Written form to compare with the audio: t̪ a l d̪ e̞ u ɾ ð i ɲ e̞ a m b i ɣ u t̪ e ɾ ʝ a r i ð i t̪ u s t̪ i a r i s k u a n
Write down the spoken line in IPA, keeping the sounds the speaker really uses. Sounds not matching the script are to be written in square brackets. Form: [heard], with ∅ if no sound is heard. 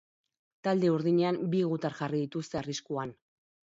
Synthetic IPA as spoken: t̪ a l d̪ e̞ u ɾ ð i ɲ e̞ a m b i ɣ u t̪ [a] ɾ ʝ a r i ð i t̪ u s t̪ [e] a r i s k u a n